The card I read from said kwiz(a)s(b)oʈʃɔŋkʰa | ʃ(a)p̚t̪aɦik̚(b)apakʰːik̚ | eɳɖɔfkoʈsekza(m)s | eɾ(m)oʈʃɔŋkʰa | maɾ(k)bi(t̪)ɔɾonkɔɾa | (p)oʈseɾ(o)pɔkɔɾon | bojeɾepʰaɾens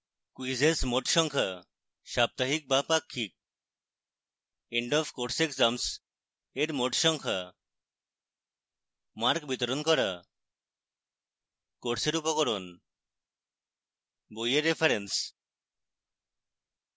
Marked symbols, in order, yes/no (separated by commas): no, no, yes, yes, yes, yes, yes, yes, no, no